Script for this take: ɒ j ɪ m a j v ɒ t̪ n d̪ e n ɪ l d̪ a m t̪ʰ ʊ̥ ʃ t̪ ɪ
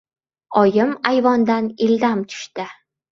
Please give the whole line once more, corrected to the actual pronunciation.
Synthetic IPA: ɒ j ɪ m a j v ɒ n d̪ a n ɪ l d̪ a m t̪ʰ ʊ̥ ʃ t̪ ɪ